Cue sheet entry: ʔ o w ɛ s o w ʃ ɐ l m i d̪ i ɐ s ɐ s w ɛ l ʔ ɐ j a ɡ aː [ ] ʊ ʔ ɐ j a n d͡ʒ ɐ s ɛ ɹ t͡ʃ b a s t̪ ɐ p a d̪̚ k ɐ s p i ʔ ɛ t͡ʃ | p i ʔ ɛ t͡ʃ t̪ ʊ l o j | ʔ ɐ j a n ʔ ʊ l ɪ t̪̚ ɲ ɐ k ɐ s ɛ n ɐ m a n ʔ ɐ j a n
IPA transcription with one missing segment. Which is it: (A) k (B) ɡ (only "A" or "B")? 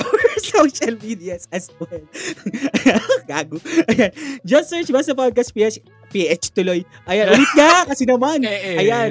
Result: B